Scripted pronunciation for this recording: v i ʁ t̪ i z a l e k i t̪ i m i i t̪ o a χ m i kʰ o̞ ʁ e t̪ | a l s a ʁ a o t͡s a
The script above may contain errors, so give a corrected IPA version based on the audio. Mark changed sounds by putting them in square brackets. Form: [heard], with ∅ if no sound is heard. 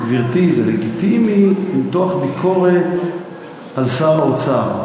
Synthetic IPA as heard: v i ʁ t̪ i z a l e [ɡ] i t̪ i m i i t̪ o a χ [b] i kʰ o̞ ʁ e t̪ | a l s a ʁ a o t͡s a